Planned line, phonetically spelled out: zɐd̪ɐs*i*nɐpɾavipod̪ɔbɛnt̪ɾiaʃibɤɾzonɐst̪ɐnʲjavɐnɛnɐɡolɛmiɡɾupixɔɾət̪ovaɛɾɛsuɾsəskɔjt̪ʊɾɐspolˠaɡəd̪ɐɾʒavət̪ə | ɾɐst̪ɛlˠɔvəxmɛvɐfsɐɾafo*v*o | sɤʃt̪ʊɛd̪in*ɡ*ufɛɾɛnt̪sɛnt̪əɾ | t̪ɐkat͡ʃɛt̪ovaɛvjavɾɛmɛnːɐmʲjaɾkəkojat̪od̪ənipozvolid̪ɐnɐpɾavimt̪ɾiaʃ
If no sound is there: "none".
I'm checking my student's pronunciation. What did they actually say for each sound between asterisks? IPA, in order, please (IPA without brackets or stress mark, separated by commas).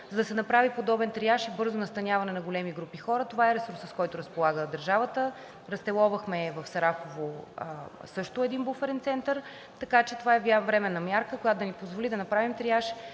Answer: ɛ, v, b